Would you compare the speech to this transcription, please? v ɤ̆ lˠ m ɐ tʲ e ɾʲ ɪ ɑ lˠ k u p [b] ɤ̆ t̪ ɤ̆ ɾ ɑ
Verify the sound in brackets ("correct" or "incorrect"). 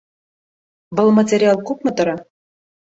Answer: incorrect